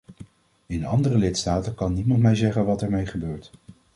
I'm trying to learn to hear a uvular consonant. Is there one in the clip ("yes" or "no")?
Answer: yes